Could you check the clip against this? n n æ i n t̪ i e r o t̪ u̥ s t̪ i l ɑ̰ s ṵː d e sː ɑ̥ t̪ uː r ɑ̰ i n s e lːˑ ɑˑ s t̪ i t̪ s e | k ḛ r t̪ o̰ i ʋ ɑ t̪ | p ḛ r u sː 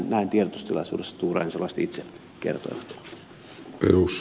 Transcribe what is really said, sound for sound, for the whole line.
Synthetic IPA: n n æ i n t̪ i e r o t̪ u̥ s t̪ i l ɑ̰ s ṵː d e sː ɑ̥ t̪ uː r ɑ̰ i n s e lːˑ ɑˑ s t̪ i t̪ s e | k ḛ r t̪ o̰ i ʋ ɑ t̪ | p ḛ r u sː

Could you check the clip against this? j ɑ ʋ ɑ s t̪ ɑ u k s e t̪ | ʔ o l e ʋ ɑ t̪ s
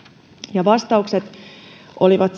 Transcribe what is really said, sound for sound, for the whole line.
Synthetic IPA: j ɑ ʋ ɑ s t̪ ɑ u k s e t̪ | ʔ o l i ʋ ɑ t̪ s

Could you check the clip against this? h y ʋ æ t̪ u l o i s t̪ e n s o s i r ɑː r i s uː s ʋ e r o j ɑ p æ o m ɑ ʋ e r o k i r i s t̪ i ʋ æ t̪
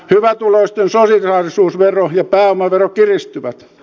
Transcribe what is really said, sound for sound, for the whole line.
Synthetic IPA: h y ʋ æ t̪ u l o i s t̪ e n s o s i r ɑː r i s uː s ʋ e r o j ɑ p æː o m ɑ ʋ e r o k i r i s t̪ y ʋ æ t̪

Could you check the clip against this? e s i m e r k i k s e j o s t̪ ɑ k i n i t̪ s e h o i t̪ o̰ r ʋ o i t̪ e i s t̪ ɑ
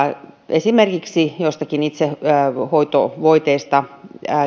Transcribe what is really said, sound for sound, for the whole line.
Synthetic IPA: e s i m e r k i k s i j o s t̪ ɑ k i n i t̪ s e h o i t̪ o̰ ʋ o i t̪ e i s t̪ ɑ

